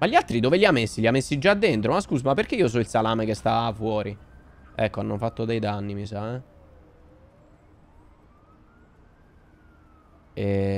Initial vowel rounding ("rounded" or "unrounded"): unrounded